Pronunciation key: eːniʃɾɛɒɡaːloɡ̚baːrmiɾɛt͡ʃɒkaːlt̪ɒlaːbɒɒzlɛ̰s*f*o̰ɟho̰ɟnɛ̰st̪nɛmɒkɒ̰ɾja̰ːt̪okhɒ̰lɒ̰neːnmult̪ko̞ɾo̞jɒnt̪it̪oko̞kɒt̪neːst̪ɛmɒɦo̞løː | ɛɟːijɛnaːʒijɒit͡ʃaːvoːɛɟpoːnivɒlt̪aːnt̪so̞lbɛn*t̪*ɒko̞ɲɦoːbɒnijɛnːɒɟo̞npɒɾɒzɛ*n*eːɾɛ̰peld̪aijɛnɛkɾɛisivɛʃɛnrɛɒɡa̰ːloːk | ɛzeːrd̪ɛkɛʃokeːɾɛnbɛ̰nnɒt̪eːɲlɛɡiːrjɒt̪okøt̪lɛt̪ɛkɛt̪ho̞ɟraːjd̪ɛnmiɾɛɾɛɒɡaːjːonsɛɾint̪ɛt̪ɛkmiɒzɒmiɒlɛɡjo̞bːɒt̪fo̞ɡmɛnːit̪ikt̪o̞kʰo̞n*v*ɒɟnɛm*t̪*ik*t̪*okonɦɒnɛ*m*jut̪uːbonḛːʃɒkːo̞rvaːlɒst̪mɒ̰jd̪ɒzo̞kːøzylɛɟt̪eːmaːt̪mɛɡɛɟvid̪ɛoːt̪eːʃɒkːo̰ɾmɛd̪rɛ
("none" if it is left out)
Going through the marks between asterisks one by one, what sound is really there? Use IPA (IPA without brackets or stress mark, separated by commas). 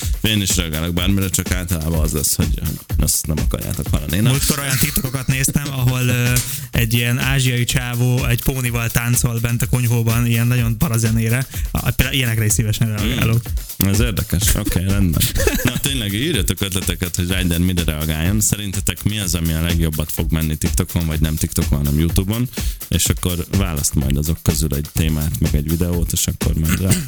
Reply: h, t̪, n, v, t̪, t̪, m